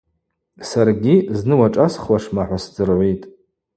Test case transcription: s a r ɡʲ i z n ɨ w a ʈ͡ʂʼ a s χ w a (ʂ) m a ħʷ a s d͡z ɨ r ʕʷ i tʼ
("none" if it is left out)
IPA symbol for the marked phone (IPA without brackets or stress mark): ʂ